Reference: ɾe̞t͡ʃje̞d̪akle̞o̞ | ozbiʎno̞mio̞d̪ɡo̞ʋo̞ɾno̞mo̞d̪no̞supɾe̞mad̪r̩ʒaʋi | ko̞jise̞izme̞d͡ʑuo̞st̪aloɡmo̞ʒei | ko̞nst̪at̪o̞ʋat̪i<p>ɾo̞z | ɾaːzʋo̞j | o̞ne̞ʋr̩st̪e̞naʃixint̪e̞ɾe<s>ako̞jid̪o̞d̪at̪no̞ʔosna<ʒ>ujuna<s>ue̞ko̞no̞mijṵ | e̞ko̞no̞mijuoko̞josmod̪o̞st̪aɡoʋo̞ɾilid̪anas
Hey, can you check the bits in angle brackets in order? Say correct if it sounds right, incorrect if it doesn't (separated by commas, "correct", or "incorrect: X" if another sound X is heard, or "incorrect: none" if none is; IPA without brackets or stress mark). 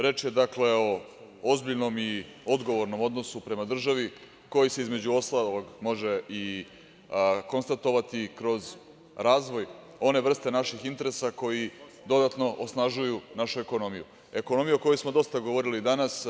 incorrect: k, correct, correct, incorrect: ʃ